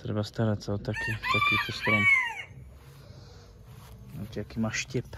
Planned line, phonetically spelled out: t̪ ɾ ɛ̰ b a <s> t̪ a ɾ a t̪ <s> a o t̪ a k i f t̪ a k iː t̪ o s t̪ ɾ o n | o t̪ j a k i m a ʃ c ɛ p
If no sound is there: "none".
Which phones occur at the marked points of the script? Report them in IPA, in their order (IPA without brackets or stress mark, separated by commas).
s, s